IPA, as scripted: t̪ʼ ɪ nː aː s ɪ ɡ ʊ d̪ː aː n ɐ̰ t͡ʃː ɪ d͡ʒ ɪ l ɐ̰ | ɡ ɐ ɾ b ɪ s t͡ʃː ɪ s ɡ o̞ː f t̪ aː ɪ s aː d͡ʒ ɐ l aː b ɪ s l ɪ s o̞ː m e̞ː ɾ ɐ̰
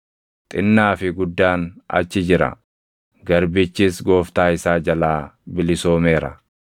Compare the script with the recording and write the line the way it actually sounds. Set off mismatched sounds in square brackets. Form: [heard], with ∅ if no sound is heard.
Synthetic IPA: t̪ʼ ɪ nː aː [f] ɪ ɡ ʊ d̪ː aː n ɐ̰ t͡ʃː ɪ d͡ʒ ɪ [ɾ] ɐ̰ | ɡ ɐ ɾ b ɪ [∅] t͡ʃː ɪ s ɡ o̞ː f t̪ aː ɪ s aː d͡ʒ ɐ l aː b ɪ [∅] l ɪ s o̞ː m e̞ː ɾ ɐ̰